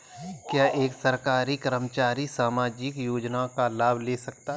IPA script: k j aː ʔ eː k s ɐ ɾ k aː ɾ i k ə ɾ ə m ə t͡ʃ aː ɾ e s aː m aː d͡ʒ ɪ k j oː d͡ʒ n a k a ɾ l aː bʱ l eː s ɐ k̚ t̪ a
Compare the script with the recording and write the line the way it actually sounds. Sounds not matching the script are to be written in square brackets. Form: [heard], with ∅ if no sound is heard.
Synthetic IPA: k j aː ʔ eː k s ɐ ɾ k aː ɾ i k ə ɾ ə m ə t͡ʃ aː ɾ [i] s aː m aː d͡ʒ ɪ k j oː d͡ʒ n a k a [∅] l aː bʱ l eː s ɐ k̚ t̪ a